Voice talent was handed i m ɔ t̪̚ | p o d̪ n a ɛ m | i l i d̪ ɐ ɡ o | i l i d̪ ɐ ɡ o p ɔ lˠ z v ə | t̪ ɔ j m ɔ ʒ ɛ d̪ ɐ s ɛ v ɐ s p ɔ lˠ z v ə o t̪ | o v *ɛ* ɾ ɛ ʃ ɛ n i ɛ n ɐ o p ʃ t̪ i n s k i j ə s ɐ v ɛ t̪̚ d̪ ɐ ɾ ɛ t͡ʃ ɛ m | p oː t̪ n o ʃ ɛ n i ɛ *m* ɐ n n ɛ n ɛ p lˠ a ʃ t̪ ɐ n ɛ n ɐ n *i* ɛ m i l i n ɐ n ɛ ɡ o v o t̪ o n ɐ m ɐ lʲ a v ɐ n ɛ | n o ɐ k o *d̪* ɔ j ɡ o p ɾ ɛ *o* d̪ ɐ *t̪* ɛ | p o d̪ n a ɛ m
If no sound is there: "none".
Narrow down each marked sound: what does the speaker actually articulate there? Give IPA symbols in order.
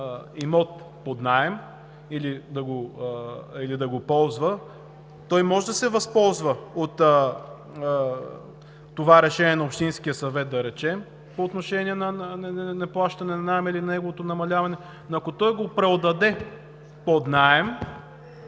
a, n, a, t̪, o, d̪

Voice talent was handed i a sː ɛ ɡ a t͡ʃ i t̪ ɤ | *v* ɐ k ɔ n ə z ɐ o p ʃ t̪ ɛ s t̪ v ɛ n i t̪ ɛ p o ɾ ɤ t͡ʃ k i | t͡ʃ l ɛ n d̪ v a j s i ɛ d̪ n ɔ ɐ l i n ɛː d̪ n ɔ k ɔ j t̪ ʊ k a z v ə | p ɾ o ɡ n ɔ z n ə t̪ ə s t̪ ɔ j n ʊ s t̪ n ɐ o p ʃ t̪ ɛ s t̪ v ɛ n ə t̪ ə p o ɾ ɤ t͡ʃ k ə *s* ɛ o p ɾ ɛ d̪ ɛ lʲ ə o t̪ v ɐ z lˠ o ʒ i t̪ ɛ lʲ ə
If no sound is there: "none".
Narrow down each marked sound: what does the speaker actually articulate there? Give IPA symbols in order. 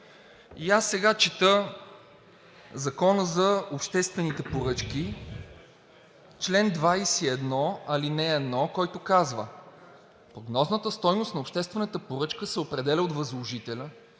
z, s

